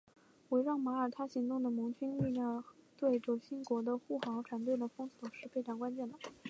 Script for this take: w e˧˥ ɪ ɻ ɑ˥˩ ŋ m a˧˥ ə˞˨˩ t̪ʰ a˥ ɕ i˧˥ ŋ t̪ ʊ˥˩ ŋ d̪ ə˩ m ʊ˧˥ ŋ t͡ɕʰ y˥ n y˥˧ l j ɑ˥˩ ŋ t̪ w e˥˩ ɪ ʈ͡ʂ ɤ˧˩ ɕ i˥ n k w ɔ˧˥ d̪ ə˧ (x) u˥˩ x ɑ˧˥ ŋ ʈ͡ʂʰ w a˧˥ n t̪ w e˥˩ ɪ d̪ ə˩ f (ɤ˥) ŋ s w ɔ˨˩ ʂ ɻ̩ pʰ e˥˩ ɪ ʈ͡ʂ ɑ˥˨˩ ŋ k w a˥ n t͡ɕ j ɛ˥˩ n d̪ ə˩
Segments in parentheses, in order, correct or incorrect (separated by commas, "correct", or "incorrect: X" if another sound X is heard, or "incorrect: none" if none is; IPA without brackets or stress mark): correct, correct